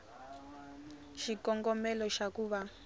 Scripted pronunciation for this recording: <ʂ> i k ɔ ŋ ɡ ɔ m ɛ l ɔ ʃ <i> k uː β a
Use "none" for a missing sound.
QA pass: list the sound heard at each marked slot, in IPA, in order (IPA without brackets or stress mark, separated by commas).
ʃ, a